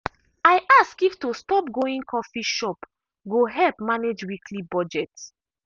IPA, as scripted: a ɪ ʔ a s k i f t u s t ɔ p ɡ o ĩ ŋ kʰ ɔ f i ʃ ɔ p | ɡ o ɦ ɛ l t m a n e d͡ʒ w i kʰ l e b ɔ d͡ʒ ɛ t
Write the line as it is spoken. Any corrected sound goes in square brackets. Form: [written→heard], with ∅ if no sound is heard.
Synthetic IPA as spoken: a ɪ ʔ a s k i f t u s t ɔ p ɡ o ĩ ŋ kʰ ɔ f i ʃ ɔ p | ɡ o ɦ ɛ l [t→p] m a n e d͡ʒ w i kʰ l [e→i] b ɔ d͡ʒ ɛ t